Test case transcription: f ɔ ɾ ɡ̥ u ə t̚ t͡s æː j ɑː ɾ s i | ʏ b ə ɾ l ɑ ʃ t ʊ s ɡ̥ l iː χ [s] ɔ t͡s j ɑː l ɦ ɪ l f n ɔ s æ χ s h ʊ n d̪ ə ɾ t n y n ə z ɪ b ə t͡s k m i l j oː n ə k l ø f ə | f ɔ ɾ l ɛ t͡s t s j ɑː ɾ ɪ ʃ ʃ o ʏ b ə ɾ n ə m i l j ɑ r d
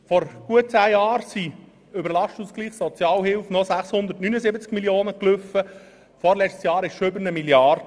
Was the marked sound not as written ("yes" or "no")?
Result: no